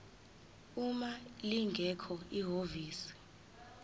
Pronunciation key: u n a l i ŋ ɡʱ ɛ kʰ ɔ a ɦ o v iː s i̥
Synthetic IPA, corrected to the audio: u m a l i ŋ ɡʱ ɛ kʰ ɔ i ɦ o v iː s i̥